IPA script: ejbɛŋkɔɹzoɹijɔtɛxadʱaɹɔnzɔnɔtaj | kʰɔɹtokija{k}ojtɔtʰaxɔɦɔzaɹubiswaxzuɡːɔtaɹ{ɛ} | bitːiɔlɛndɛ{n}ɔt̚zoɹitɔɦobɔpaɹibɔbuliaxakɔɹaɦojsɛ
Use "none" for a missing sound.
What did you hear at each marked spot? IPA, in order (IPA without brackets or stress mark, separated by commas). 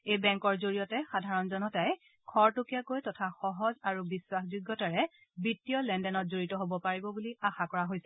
k, ɛ, n